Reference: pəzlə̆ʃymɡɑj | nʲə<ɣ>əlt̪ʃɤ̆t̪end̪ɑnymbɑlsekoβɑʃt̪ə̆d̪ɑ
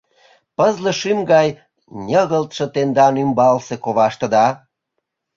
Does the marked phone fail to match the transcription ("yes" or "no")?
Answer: no